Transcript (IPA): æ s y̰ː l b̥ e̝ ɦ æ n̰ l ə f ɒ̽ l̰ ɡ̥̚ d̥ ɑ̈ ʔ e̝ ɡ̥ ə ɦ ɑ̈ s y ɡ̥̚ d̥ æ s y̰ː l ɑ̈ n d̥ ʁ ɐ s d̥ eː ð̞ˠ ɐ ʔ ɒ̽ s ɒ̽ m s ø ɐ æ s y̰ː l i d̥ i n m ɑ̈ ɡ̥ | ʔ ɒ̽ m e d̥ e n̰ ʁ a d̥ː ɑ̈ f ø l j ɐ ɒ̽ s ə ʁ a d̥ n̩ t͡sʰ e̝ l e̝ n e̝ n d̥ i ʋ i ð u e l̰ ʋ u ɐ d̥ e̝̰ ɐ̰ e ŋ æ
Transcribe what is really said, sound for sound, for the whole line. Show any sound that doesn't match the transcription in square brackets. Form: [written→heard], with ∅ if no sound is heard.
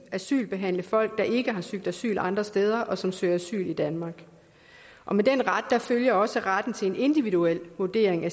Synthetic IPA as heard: æ s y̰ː l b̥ e̝ ɦ æ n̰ l ə f ɒ̽ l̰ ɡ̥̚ d̥ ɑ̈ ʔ e̝ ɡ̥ ə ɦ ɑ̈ s y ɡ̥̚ d̥ æ s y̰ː l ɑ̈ n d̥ ʁ ɐ s d̥ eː ð̞ˠ ɐ ʔ ɒ̽ s ɒ̽ m s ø ɐ æ s y̰ː l i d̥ [i→æ] n m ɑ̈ ɡ̥ | ʔ ɒ̽ m e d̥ e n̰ ʁ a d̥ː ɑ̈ f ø l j ɐ ɒ̽ s ə ʁ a d̥ n̩ t͡sʰ e̝ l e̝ n e̝ n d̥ i ʋ i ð u e l̰ ʋ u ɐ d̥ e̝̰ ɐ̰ e ŋ æ